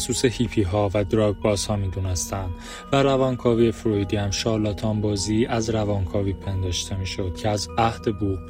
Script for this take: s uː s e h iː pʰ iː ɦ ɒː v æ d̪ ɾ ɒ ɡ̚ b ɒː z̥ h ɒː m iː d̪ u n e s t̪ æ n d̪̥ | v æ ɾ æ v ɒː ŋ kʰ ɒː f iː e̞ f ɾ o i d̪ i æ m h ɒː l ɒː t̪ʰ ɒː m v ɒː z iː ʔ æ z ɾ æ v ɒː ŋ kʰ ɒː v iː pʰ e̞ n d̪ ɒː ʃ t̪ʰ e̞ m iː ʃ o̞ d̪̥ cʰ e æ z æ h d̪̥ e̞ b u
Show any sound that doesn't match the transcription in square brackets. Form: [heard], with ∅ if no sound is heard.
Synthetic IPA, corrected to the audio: s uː s e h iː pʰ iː ɦ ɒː v æ d̪ ɾ ɒ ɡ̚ b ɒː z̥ h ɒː m iː d̪ u n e s t̪ æ n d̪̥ | v æ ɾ æ v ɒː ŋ kʰ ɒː [v] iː e̞ f ɾ o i d̪ i æ m [ʃ] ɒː l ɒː t̪ʰ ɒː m [b] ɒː z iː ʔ æ z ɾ æ v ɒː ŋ kʰ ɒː v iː pʰ e̞ n d̪ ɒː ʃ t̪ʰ e̞ m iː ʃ o̞ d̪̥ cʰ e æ z æ h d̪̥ e̞ b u